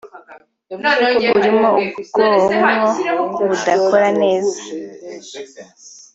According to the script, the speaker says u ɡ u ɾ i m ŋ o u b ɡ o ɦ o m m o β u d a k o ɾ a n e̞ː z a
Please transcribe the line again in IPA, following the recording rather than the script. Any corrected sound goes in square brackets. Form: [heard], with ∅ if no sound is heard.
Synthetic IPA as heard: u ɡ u ɾ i m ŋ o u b ɡ o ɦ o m [ŋ] o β u d a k o ɾ a n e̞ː z a